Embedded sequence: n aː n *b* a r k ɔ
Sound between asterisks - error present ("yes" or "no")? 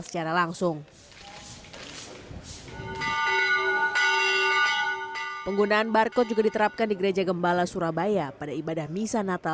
no